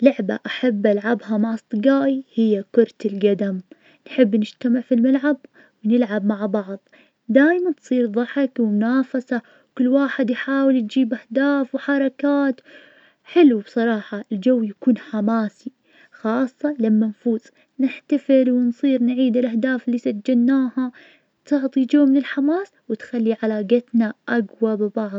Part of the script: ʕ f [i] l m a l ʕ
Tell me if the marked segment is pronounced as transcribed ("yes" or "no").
yes